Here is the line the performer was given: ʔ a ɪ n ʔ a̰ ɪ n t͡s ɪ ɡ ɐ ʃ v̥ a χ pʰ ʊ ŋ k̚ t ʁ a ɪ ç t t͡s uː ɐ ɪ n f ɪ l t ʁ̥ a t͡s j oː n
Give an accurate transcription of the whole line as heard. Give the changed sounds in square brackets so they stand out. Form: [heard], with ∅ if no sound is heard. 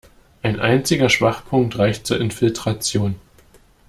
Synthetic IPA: ʔ a ɪ n ʔ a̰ ɪ n t͡s ɪ ɡ ɐ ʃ v̥ a χ pʰ ʊ ŋ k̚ t ʁ a ɪ ç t t͡s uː ɐ ɪ n f ɪ l t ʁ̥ a t͡s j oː n